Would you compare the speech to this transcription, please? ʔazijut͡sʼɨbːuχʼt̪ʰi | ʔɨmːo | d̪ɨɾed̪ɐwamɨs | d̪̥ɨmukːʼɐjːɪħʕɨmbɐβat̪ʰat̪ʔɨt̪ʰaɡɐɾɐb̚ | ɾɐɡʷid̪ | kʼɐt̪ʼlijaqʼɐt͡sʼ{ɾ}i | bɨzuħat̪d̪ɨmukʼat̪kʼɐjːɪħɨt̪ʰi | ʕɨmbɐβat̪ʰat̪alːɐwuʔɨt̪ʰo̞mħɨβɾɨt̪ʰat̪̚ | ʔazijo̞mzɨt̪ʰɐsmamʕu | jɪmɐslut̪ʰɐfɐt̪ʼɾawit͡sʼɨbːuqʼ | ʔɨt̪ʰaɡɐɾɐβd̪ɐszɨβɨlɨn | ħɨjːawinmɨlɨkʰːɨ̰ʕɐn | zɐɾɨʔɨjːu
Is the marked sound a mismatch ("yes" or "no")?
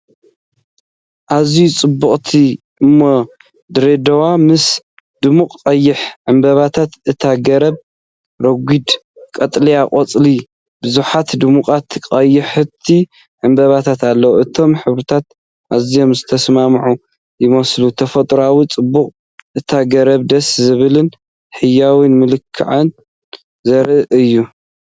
yes